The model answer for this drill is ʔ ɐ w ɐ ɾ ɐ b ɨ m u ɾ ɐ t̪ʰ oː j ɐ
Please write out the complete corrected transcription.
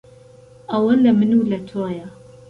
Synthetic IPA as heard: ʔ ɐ w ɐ l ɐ m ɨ n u l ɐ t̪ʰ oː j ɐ